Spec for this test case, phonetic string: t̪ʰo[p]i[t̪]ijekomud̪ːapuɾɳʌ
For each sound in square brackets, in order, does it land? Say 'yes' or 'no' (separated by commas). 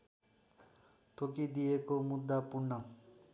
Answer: no, no